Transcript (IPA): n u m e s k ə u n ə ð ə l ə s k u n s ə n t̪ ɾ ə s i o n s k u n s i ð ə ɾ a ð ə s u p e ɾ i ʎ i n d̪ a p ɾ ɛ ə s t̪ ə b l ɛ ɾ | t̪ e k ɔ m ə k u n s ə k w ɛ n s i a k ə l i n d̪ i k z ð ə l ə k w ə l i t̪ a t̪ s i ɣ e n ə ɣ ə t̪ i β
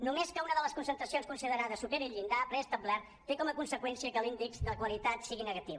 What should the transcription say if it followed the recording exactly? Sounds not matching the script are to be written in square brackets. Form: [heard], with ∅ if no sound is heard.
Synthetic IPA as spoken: n u m e s k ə u n ə ð ə l ə s k u n s ə n t̪ ɾ ə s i o n s k u n s i ð ə ɾ a ð ə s u p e ɾ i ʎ i n d̪ a p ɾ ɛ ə s t̪ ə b l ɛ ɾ | t̪ e k ɔ m ə k u n s ə k w ɛ n s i [ə] k ə l i n d̪ i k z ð ə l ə k w ə l i t̪ a t̪ s i ɣ [i] n ə ɣ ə t̪ i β